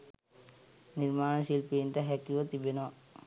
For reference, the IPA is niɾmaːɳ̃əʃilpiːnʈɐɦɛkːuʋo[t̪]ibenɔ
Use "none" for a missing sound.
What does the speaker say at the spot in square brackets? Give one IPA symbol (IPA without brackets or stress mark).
t̪